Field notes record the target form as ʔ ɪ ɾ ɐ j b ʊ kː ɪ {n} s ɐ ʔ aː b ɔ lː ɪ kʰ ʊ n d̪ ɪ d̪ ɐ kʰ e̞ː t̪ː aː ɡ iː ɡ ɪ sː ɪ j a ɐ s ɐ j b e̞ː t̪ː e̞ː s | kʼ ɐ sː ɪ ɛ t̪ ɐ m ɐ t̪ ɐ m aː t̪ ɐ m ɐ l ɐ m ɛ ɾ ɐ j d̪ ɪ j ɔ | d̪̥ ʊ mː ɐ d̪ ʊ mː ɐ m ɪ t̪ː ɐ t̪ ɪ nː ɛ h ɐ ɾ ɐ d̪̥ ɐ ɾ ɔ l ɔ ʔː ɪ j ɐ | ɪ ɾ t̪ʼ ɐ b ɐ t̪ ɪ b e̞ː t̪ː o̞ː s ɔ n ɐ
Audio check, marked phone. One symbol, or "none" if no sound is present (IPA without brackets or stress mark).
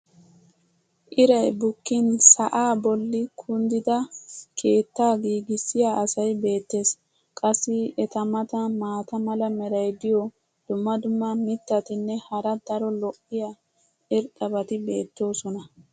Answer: n